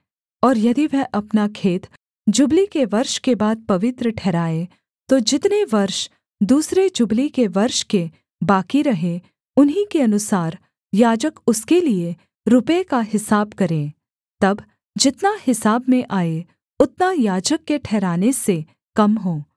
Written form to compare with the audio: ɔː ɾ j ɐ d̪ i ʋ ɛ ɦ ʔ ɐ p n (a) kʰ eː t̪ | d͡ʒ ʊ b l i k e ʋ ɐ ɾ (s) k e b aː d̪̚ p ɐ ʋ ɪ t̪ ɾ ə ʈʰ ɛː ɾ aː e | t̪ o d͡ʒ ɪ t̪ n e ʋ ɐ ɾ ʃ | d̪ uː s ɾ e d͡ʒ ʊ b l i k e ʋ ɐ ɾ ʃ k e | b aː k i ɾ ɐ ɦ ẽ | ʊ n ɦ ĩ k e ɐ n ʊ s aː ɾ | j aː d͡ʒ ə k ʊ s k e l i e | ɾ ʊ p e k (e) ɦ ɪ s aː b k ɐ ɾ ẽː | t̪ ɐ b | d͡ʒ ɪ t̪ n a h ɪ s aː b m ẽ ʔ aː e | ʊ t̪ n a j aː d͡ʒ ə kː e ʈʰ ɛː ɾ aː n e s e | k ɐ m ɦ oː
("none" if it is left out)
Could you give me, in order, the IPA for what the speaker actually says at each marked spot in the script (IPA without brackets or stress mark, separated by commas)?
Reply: a, ʃ, a